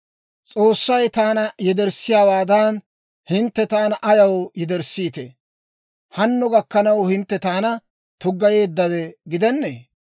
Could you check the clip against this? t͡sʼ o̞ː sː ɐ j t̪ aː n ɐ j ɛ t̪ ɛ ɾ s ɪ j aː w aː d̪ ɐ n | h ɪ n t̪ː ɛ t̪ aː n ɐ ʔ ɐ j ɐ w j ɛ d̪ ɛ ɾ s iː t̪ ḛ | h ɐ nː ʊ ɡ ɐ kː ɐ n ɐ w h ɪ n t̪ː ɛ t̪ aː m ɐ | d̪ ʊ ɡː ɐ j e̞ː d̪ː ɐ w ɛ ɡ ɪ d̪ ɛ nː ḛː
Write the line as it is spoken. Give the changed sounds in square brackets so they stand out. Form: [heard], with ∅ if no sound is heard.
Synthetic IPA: t͡sʼ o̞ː sː ɐ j t̪ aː n ɐ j ɛ [d̪] ɛ ɾ s ɪ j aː w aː d̪ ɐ n | h ɪ n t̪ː ɛ t̪ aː n ɐ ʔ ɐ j ɐ w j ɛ d̪ ɛ ɾ s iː t̪ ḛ | h ɐ nː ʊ ɡ ɐ kː ɐ n ɐ w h ɪ n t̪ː ɛ t̪ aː [n] ɐ | [t̪] ʊ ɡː ɐ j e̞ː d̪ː ɐ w ɛ ɡ ɪ d̪ ɛ nː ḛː